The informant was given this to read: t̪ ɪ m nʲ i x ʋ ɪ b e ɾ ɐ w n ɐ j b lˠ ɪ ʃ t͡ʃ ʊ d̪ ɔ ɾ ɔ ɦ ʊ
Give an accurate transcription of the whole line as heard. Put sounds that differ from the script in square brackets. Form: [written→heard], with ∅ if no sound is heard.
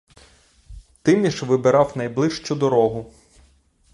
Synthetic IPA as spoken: t̪ ɪ m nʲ i [x→ʃ] ʋ ɪ b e ɾ [ɐ→ɑ] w n ɐ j b lˠ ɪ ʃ t͡ʃ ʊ d̪ ɔ ɾ ɔ ɦ ʊ